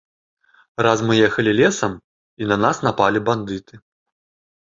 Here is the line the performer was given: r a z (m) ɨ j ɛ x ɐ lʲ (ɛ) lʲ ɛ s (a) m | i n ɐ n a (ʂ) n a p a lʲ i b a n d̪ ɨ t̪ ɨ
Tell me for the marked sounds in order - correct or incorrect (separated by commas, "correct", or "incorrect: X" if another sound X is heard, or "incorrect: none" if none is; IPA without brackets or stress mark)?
correct, incorrect: i, incorrect: ɐ, incorrect: s